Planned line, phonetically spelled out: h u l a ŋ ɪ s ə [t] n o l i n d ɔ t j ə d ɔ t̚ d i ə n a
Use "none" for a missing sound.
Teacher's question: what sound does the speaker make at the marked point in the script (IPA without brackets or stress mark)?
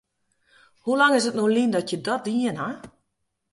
t